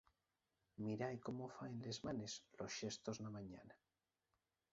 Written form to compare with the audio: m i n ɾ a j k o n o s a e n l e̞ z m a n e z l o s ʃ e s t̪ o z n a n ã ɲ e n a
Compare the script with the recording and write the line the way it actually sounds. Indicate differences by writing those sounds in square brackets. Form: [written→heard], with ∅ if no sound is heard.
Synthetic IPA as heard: m i [n→∅] ɾ a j k o [n→m] o [s→f] a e n l e̞ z m a n e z l o s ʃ e s t̪ o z n a [n→m] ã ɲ [e→a] n a